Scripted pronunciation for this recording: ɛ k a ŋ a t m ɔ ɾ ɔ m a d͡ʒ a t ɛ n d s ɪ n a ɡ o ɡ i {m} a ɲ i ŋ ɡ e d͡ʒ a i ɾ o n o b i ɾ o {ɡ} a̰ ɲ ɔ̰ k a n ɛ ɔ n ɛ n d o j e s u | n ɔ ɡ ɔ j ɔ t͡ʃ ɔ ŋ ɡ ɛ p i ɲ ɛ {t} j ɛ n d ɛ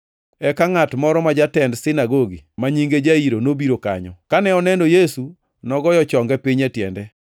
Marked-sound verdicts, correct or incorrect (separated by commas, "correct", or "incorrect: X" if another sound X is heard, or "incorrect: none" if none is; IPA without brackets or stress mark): correct, incorrect: k, correct